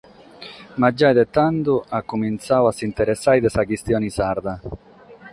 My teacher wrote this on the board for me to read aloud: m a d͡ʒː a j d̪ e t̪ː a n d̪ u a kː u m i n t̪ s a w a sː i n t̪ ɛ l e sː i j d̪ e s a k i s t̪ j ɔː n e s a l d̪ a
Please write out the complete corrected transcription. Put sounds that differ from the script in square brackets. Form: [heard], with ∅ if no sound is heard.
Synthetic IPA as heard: m a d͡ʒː a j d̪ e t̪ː a n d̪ u a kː u m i n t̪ s a w a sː i n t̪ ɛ [ɾ] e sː [a] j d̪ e s a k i s t̪ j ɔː n [i] s a [ɾ] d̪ a